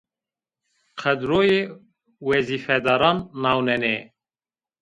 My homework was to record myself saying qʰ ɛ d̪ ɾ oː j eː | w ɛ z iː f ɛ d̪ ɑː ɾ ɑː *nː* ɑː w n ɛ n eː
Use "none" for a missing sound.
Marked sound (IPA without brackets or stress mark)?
nː